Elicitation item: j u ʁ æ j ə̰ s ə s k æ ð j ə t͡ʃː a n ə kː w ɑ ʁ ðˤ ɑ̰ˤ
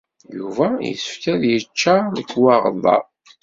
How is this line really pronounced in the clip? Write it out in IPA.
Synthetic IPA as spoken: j u v æ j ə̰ s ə f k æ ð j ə t͡ʃː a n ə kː w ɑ ʁ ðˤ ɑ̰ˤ